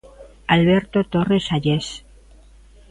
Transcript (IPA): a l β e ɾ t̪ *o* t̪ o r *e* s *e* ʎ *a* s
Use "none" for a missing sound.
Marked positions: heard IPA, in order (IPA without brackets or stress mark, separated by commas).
o, e, a, e